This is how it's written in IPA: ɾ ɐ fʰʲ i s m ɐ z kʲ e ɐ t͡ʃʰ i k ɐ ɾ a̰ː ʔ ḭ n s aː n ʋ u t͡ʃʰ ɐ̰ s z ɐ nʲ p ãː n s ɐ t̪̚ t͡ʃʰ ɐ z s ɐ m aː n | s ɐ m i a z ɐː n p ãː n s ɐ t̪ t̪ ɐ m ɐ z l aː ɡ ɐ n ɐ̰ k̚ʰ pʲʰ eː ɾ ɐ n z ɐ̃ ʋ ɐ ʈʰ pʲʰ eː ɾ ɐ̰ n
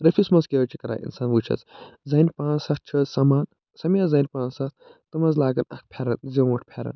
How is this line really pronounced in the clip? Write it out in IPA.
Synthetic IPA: ɾ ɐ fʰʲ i s m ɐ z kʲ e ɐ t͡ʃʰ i k ɐ ɾ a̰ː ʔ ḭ n s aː n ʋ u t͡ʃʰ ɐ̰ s z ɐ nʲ p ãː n s ɐ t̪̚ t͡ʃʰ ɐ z s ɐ m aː n | s ɐ m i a z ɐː n p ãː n s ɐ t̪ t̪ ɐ m ɐ z l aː ɡ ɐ n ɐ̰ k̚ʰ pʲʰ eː ɾ ɐ n z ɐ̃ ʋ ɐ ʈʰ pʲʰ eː ɾ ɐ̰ n